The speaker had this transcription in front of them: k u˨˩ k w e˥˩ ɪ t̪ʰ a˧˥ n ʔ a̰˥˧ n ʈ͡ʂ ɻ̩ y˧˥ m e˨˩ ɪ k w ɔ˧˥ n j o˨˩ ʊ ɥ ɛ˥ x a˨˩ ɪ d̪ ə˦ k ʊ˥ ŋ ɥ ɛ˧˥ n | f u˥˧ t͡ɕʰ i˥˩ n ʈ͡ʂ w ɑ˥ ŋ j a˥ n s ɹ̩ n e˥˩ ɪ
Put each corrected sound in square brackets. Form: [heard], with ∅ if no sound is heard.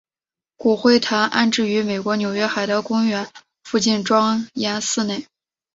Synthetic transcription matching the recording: k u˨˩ [x] w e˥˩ ɪ t̪ʰ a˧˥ n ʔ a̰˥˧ n ʈ͡ʂ ɻ̩ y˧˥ m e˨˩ ɪ k w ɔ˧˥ n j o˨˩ ʊ ɥ ɛ˥ x a˨˩ ɪ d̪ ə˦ k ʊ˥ ŋ ɥ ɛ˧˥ n | f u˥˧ [t͡ɕ] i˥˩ n ʈ͡ʂ w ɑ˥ ŋ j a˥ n s ɹ̩ n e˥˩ ɪ